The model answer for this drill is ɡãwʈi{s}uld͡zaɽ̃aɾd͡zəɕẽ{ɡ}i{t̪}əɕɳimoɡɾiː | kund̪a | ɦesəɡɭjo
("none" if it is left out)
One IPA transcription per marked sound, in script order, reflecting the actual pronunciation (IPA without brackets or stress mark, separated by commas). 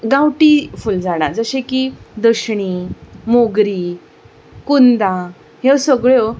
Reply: f, k, d̪